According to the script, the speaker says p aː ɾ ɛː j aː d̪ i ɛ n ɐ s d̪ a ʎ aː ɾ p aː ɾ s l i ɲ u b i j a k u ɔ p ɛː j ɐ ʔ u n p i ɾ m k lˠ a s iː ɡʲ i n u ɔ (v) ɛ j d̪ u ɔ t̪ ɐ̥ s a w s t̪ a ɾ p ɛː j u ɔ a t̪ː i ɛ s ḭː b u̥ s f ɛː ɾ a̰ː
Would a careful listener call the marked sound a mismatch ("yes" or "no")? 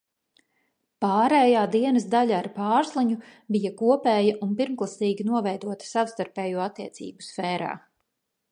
no